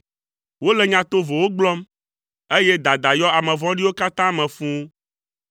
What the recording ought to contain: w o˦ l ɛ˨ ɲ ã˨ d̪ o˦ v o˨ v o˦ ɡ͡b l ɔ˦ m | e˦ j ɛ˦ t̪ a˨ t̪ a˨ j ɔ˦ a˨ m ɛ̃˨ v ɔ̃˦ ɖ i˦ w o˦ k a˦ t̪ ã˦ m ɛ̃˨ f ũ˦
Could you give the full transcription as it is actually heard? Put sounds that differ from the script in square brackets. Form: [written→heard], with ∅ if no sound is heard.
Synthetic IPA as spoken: w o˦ l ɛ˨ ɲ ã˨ [d̪→t̪] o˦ v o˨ [v→w] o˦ ɡ͡b l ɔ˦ m | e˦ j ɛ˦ [t̪→d̪] a˨ [t̪→d̪] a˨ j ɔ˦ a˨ m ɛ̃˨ v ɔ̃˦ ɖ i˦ w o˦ k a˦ t̪ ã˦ m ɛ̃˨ f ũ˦

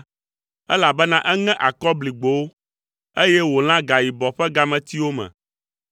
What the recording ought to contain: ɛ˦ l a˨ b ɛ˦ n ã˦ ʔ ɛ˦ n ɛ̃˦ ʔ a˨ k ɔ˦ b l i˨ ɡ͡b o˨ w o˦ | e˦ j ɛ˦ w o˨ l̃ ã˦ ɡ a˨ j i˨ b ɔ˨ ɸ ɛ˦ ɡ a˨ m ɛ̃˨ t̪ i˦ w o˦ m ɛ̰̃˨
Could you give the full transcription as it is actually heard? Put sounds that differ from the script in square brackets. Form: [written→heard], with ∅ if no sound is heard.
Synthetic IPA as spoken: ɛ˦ l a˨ b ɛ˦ n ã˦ ʔ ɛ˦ [n→ŋ] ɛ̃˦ ʔ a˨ k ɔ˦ b l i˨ ɡ͡b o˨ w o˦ | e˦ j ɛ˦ w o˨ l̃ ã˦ ɡ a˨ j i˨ b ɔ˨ ɸ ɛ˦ ɡ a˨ m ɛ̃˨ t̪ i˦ w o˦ m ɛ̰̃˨

